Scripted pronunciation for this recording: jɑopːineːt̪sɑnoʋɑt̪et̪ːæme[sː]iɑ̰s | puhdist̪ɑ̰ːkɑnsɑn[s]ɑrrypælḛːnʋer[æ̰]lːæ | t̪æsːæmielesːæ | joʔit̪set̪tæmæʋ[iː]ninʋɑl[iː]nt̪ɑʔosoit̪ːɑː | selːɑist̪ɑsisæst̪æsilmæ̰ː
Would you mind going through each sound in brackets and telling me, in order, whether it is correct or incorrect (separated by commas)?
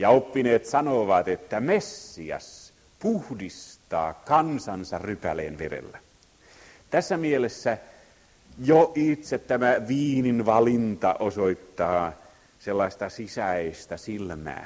correct, correct, incorrect, correct, incorrect